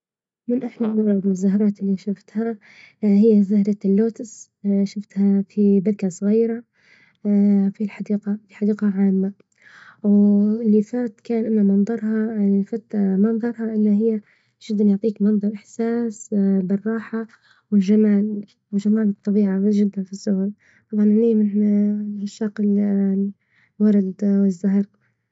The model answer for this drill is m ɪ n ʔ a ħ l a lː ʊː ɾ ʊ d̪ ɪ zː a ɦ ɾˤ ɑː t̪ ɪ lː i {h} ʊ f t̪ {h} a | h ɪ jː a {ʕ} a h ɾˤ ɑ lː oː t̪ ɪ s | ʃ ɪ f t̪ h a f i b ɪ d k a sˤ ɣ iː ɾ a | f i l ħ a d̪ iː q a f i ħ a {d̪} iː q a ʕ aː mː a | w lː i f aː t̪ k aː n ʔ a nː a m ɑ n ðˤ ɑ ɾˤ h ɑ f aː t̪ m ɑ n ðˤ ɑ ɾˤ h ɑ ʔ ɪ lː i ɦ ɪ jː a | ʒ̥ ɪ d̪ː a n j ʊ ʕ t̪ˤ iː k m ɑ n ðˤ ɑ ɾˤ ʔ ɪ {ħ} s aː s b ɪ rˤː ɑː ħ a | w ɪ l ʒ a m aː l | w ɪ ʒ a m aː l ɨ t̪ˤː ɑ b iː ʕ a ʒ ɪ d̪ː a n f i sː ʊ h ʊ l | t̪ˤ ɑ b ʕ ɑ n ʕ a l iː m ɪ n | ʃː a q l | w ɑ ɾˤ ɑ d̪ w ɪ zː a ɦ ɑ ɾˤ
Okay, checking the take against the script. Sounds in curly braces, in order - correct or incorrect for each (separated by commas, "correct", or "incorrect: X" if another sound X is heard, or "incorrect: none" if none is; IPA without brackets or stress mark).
incorrect: ʃ, correct, incorrect: z, correct, correct